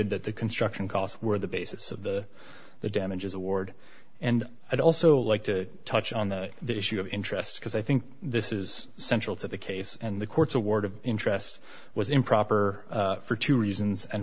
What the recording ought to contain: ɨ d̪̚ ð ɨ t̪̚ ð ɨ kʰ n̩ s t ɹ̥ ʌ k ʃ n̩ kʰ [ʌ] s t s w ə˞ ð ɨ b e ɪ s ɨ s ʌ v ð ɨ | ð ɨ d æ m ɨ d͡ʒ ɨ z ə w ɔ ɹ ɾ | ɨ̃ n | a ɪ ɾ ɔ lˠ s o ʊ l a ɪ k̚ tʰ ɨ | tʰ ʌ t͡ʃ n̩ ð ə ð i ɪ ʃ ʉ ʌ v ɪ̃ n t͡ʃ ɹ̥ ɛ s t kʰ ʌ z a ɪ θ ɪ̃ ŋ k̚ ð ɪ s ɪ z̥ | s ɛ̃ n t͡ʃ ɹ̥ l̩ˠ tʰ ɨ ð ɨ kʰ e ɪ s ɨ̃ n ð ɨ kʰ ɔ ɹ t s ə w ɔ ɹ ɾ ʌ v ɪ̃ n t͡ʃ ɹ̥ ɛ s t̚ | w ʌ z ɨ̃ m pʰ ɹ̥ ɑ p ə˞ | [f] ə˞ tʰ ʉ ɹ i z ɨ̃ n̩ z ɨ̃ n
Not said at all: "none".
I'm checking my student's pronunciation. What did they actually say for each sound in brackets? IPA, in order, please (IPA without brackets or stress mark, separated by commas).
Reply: ɔ, f